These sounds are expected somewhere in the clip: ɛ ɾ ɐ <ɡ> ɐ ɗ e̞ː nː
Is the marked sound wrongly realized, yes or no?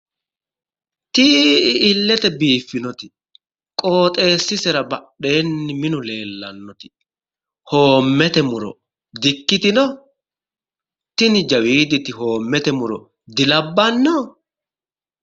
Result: yes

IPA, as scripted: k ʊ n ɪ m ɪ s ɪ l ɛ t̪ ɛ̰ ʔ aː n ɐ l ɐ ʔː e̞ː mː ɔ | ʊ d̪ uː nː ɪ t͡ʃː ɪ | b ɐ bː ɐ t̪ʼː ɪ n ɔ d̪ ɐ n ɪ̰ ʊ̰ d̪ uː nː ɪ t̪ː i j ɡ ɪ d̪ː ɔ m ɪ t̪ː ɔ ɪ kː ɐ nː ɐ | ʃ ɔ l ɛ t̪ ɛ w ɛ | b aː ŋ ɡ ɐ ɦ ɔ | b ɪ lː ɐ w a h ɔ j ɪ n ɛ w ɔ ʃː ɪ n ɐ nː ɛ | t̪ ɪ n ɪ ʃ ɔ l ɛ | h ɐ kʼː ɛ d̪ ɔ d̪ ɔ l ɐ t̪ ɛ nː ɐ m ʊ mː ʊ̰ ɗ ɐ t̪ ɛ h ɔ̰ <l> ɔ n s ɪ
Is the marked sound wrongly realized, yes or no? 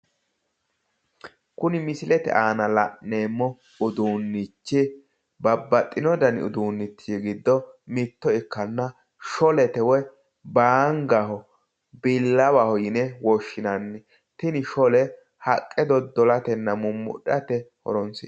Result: yes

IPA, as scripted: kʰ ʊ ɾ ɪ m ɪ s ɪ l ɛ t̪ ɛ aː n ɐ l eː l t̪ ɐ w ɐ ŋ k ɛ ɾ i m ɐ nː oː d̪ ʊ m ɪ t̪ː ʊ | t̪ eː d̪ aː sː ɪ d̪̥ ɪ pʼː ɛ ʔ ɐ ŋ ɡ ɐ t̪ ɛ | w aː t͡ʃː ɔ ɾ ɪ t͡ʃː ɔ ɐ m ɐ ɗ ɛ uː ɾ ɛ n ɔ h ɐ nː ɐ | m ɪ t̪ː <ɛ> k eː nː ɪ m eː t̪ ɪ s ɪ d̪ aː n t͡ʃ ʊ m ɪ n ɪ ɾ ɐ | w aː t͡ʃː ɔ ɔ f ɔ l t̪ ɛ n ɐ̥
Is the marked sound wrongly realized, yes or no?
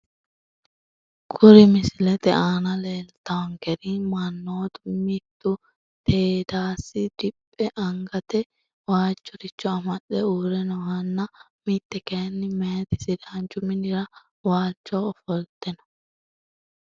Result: no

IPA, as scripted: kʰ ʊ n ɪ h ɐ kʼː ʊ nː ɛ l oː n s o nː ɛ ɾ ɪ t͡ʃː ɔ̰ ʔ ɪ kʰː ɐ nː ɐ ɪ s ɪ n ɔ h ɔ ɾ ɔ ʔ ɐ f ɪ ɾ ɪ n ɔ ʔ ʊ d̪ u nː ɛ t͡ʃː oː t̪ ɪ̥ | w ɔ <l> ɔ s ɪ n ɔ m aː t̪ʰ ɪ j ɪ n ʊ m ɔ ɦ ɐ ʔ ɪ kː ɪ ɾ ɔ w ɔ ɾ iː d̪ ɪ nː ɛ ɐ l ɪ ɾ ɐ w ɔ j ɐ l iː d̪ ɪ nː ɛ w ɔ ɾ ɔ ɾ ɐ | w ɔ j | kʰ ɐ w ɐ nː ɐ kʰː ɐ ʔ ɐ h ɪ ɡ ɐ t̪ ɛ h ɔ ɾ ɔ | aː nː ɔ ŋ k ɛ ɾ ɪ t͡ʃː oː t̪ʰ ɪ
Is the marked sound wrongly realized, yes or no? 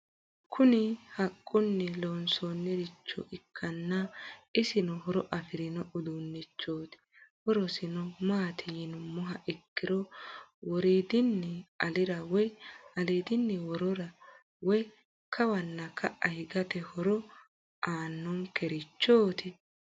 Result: yes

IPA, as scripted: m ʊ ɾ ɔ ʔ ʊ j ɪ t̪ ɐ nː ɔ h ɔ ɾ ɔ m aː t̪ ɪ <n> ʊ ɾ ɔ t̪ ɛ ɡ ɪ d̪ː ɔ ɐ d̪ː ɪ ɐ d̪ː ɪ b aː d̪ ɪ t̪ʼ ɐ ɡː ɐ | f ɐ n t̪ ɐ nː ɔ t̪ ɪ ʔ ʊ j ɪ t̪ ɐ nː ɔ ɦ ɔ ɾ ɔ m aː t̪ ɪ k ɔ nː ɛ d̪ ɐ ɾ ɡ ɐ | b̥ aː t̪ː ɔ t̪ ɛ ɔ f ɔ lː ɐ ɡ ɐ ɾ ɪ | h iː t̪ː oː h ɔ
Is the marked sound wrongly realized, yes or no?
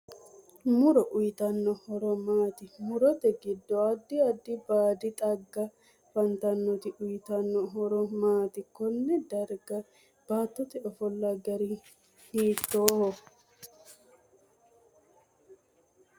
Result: yes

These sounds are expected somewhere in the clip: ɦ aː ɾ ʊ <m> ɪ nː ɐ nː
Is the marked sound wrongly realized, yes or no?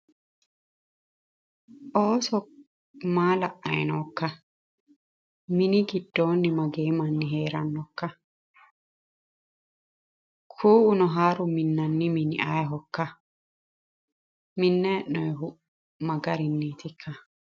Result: no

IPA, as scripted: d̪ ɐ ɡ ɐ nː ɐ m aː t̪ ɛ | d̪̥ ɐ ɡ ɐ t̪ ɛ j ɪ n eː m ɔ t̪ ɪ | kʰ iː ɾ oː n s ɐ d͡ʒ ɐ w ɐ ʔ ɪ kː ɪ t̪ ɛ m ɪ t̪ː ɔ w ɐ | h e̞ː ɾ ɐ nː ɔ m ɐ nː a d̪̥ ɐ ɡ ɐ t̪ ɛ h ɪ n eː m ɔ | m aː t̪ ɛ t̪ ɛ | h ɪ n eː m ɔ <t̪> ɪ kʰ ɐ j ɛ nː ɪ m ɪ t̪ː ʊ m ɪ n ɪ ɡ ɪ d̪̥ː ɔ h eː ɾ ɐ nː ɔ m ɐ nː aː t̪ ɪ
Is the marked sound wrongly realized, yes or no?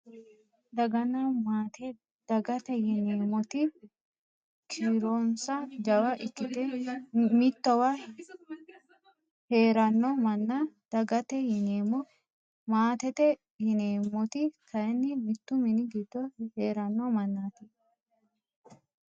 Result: no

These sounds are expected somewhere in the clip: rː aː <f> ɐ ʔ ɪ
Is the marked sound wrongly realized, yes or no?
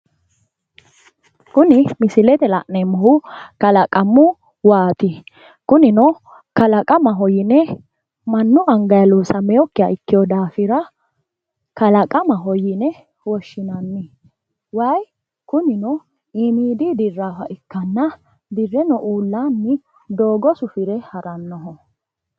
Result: no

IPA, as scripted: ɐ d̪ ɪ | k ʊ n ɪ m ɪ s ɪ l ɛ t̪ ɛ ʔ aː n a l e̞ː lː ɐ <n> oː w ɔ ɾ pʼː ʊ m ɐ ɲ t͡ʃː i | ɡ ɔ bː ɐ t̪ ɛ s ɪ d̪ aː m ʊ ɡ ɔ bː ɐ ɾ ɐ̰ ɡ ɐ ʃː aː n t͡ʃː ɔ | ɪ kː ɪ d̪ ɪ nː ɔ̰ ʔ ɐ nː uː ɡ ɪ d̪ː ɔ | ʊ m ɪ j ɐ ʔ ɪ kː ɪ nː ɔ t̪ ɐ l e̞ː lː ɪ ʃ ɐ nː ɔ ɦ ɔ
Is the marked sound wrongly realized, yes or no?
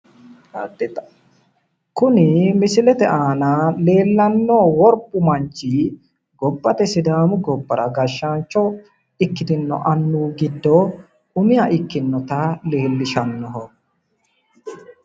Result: yes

